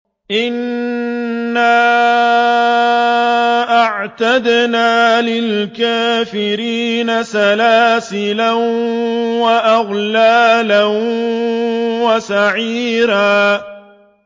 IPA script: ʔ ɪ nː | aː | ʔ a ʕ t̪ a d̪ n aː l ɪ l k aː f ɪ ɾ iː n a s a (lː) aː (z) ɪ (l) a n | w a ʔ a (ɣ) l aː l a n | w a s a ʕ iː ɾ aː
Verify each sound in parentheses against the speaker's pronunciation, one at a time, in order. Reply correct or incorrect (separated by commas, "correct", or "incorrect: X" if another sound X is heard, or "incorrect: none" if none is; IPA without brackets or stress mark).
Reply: incorrect: l, incorrect: s, correct, correct